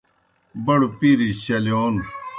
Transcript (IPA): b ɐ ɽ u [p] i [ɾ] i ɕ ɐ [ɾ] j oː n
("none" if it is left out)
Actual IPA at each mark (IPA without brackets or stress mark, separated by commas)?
p, ɾ, l